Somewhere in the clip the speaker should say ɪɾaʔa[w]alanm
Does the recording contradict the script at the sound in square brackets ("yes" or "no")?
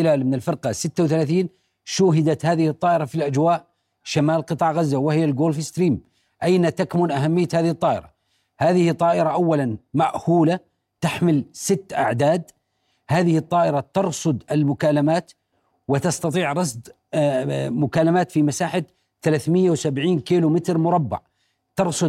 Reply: yes